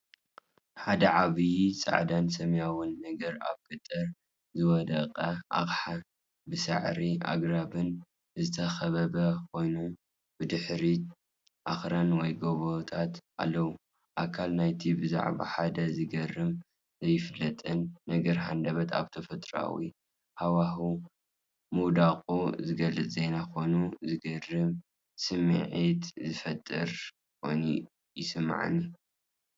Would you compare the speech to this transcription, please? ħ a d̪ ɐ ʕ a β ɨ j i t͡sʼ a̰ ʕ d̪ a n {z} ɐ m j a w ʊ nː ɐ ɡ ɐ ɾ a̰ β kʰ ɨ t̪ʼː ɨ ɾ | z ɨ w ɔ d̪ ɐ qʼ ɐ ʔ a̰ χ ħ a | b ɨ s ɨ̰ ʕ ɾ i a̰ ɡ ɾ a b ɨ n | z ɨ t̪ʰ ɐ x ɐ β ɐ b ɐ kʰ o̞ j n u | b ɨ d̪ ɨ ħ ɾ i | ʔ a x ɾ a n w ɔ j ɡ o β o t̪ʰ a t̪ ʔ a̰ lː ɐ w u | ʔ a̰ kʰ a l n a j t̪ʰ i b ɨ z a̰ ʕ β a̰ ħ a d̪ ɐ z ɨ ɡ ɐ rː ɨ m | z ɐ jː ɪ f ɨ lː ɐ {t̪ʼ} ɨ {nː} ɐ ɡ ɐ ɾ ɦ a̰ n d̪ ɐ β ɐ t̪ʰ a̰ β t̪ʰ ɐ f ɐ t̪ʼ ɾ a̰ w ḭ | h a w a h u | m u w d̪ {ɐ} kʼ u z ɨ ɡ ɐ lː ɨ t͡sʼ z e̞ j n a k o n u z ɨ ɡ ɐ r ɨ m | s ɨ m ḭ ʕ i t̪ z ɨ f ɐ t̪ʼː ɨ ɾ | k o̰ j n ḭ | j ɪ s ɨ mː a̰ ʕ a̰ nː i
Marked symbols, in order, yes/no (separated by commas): no, yes, yes, no